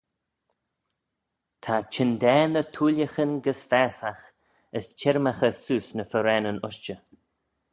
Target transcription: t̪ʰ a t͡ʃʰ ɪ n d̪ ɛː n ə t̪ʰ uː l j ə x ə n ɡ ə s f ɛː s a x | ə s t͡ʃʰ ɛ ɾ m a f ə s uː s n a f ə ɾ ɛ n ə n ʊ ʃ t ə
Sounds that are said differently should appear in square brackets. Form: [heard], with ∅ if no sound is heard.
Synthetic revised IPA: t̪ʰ a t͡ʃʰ ɪ n d̪ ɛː n ə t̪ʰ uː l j ə x ə n ɡ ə s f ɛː s a x | ə s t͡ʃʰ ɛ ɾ m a [x] ə s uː s n [ə] f ə ɾ ɛ n ə n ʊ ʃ [t͡ʃ] ə